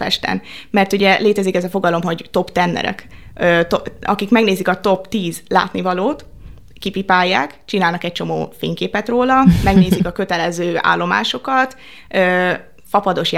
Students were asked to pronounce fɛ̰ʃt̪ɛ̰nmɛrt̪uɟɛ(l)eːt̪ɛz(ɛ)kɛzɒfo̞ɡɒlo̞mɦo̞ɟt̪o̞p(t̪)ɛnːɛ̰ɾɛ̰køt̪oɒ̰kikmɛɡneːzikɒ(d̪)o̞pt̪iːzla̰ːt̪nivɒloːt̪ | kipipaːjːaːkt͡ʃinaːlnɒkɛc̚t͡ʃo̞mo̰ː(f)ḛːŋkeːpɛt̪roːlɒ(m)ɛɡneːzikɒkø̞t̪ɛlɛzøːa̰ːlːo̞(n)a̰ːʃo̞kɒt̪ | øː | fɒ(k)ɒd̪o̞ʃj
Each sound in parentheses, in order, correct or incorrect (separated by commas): correct, incorrect, correct, incorrect, correct, correct, incorrect, incorrect